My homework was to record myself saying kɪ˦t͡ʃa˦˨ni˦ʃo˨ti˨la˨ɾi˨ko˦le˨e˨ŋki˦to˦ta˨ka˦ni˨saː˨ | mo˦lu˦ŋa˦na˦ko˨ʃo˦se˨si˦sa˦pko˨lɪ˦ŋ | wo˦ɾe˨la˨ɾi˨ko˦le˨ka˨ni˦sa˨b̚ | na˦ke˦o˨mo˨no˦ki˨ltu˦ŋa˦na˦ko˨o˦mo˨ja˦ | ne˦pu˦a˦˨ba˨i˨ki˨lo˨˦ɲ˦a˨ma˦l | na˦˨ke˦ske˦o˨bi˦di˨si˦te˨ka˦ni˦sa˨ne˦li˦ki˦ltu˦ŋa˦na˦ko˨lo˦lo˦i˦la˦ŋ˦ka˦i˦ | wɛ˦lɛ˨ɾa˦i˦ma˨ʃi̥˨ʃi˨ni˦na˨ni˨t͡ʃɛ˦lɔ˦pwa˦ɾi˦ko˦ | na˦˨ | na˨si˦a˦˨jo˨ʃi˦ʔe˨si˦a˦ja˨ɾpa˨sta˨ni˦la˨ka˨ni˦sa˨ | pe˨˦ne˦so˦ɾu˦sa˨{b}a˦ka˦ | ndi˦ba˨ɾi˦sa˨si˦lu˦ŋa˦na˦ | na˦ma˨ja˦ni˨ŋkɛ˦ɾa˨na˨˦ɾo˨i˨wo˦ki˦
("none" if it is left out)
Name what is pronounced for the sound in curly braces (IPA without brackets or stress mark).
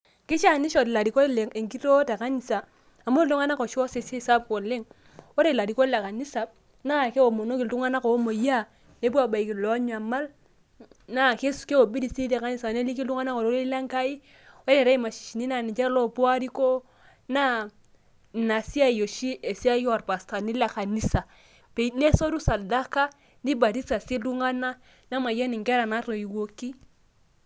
d